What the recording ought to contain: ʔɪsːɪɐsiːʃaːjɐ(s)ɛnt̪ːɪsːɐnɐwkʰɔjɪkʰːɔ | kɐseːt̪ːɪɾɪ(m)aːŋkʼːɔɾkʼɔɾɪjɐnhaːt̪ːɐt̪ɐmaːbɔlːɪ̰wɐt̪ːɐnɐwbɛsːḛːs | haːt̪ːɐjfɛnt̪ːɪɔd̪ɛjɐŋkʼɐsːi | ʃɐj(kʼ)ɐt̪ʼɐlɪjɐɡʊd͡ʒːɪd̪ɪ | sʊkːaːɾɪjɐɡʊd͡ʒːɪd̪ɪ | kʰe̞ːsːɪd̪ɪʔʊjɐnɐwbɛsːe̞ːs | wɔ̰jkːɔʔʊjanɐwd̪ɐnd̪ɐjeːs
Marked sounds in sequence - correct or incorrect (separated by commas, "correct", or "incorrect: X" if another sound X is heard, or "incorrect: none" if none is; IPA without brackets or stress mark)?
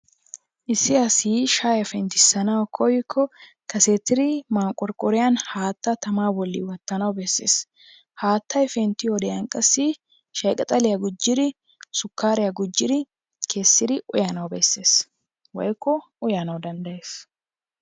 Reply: incorrect: f, correct, correct